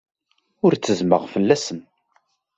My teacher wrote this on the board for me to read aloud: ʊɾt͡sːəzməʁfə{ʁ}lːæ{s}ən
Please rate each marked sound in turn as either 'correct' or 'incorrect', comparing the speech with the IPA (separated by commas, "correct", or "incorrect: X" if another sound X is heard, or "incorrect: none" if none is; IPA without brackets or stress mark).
incorrect: none, correct